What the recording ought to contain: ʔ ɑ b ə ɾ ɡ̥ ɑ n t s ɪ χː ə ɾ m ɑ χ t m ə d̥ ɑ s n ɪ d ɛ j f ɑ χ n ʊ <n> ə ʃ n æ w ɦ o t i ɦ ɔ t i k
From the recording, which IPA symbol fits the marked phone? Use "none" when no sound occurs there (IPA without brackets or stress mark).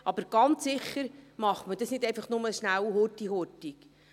m